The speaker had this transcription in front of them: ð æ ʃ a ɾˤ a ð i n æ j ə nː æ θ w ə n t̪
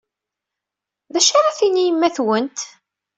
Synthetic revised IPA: ð æ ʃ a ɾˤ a θ i n i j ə mː æ θ w ə n t̪